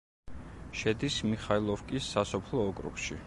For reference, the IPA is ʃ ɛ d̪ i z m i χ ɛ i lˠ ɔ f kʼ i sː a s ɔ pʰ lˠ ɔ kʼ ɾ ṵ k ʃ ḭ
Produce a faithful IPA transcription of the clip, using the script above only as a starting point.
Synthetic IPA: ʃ ɛ d̪ i s m i χ a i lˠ ɔ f kʼ i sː a s ɔ pʰ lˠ ɔː kʼ ɾ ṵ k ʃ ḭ